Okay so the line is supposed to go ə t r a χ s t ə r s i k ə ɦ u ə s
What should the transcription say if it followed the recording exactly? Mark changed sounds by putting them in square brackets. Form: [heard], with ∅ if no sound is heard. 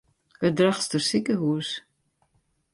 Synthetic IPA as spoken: ə [d] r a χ s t ə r s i k ə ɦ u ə s